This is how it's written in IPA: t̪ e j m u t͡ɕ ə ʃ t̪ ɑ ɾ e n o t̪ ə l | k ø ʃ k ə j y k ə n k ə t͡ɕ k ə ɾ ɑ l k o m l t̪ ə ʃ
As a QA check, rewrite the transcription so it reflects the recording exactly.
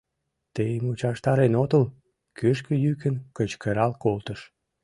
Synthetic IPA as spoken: t̪ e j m u t͡ɕ ɑ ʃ t̪ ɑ ɾ e n o t̪ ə l | k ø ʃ k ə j y k ə n k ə t͡ɕ k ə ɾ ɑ l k o l t̪ ə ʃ